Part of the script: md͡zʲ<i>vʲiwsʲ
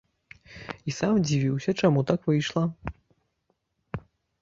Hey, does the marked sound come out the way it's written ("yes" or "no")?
yes